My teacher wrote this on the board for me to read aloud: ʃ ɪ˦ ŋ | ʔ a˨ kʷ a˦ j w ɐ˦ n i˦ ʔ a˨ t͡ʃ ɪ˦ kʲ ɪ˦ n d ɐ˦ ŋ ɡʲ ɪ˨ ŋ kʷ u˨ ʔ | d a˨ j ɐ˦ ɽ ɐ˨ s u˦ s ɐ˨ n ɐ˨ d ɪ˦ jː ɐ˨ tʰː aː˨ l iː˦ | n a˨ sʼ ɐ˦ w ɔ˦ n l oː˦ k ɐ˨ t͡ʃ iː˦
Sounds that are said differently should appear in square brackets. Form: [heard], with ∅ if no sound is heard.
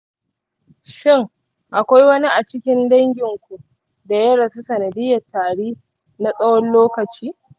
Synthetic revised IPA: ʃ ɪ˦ ŋ | ʔ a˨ kʷ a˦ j w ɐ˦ n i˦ ʔ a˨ t͡ʃ ɪ˦ kʲ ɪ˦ n d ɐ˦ ŋ ɡʲ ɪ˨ ŋ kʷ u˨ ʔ | d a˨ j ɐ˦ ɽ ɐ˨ s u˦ s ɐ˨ n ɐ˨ d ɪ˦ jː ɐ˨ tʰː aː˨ [ɽ] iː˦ | n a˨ sʼ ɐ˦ w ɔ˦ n l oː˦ k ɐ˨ t͡ʃ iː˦

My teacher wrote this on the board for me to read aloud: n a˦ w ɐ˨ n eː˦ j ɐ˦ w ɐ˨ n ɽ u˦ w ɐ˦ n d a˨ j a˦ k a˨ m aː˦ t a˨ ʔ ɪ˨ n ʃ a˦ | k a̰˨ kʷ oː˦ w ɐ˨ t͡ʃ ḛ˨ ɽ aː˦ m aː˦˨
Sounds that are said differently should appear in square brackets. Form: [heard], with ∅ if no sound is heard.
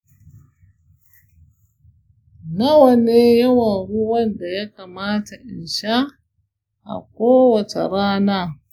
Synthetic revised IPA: n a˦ w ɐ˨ n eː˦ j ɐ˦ w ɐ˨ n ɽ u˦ w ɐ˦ n d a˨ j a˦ k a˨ m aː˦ t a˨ ʔ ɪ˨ n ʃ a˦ | [ʔ] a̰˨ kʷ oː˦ w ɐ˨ t͡ʃ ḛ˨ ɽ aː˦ [n] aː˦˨

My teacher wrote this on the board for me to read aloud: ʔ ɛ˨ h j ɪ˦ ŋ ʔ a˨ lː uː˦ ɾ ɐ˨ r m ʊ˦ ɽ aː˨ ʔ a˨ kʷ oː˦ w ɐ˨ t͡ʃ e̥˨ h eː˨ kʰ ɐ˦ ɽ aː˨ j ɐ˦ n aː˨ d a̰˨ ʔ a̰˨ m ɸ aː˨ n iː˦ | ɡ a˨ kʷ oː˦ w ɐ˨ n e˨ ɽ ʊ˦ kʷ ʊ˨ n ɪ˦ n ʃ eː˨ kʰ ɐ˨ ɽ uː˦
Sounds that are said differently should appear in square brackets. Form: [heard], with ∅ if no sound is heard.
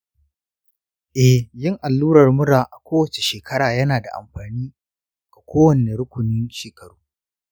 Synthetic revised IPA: ʔ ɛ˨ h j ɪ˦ ŋ ʔ a˨ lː uː˦ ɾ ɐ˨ r m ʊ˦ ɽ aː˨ ʔ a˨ kʷ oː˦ w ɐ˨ t͡ʃ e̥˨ [ʃ] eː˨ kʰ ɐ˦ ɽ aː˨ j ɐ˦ n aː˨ d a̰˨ ʔ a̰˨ m ɸ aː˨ n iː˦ | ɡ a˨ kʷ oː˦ w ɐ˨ n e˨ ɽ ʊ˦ kʷ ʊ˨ n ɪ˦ n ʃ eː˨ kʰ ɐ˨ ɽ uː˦

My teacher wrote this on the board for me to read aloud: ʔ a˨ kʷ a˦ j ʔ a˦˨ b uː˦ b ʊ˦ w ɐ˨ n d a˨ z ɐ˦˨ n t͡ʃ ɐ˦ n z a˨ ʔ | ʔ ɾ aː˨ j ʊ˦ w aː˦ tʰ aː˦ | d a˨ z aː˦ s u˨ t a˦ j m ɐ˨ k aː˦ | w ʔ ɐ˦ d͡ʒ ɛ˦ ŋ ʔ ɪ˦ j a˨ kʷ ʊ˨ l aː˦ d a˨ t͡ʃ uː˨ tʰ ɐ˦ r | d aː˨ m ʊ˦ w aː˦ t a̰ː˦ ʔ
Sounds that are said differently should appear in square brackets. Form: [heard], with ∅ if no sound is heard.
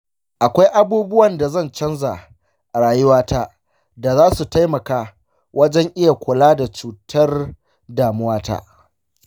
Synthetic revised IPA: ʔ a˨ kʷ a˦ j ʔ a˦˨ b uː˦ b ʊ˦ w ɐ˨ n d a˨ z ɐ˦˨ n t͡ʃ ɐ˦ n z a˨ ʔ | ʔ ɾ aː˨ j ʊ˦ w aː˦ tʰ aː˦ | d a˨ z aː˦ s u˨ t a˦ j m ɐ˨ k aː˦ | w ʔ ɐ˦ d͡ʒ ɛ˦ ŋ ʔ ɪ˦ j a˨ kʷ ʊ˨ l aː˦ d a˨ t͡ʃ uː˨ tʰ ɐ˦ r | d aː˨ m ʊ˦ w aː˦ t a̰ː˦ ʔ

